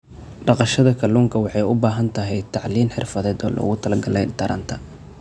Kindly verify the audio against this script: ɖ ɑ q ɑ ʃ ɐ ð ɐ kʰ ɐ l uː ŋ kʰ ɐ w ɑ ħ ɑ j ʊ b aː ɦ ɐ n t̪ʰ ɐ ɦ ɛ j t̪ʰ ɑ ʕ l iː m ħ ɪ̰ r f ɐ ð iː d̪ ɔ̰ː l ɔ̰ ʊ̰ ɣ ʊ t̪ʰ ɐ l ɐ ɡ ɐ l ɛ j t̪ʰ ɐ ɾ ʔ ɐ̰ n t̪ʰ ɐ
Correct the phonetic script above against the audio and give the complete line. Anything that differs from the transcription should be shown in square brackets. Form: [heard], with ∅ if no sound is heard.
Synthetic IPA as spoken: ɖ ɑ q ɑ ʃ ɐ ð ɐ kʰ ɐ l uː ŋ kʰ ɐ w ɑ ħ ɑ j ʊ b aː ɦ ɐ n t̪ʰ ɐ ɦ ɛ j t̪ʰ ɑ ʕ l iː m ħ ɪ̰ r f ɐ ð [ɛː] d̪ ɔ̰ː l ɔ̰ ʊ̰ ɣ ʊ t̪ʰ ɐ l ɐ ɡ ɐ l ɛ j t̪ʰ ɐ ɾ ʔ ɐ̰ n t̪ʰ ɐ